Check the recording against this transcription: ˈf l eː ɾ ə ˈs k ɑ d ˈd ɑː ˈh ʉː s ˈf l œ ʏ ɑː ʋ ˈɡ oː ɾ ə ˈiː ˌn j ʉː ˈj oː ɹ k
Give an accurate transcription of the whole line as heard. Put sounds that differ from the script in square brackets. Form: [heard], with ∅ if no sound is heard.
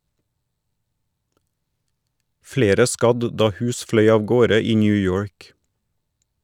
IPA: ˈf l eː ɾ ə ˈs k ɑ d ˈd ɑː ˈh ʉː s ˈf l œ ʏ ɑː ʋ ˈɡ oː ɾ ə ˈiː ˌn j ʉː ˈj oː ɹ k